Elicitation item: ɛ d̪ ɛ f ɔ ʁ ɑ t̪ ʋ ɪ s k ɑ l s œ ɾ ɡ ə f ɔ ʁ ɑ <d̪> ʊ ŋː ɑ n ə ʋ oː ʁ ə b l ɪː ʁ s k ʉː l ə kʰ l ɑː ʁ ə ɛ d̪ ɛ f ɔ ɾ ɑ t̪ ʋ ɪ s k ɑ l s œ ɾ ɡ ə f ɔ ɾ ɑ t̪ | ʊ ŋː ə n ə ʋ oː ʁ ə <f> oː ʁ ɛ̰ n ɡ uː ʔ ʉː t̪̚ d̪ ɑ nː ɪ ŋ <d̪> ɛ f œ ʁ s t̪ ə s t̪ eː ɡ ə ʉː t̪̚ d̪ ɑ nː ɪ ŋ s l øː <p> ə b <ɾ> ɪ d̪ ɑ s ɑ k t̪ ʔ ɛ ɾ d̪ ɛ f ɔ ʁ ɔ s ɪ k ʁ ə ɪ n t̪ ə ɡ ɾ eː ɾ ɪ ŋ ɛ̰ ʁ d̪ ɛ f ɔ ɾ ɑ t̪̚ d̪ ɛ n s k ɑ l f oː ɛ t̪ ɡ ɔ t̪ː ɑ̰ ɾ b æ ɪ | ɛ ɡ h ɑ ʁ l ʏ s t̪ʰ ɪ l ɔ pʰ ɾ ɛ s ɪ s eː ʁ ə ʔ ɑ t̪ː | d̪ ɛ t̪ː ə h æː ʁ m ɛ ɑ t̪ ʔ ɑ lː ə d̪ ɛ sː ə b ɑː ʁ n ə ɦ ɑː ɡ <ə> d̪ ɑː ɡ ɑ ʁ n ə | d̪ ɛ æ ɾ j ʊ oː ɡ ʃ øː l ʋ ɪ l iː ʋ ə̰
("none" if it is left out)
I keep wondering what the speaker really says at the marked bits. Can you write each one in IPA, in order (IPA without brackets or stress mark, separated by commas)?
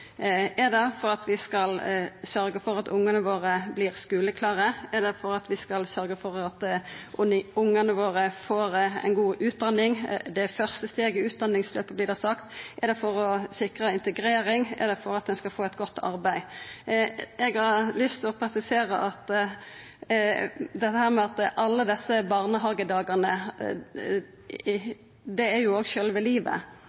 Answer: t̪, f, d̪, p, l, ə